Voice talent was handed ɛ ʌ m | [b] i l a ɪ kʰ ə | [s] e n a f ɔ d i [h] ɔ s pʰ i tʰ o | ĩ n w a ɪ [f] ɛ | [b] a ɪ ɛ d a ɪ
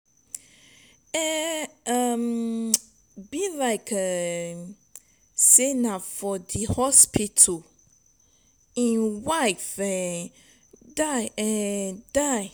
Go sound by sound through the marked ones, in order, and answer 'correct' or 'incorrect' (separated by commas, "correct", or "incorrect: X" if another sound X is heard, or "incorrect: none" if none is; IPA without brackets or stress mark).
correct, correct, correct, correct, incorrect: d